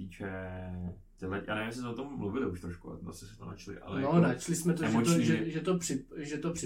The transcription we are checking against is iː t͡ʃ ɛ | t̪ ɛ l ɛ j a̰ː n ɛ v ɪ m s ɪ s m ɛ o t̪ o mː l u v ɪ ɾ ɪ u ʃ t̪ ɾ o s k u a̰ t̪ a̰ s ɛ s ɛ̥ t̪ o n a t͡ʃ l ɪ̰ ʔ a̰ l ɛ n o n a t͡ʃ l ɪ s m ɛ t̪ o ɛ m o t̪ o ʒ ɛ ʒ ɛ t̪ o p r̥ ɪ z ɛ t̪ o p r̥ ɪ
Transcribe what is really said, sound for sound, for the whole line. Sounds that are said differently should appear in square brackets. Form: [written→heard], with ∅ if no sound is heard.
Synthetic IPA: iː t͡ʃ ɛ | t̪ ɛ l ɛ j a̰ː n ɛ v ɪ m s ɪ s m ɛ o t̪ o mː l u v ɪ [ɾ→l] ɪ u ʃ t̪ ɾ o [s→ʃ] k u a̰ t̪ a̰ s ɛ s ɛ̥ t̪ o n a t͡ʃ l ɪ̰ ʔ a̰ l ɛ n o n a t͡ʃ l ɪ s m ɛ t̪ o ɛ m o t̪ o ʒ ɛ ʒ ɛ t̪ o p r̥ ɪ [z→ʒ] ɛ t̪ o p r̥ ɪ